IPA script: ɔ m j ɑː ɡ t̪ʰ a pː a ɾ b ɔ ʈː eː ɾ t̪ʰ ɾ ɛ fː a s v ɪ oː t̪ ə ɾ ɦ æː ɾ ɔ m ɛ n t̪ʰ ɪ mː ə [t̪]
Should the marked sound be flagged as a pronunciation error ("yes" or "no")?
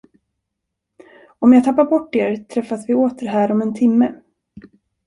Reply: yes